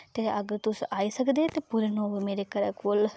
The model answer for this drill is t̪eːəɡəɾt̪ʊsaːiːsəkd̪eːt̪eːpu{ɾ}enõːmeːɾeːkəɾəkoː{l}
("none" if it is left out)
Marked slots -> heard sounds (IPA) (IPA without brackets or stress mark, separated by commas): ɾ, l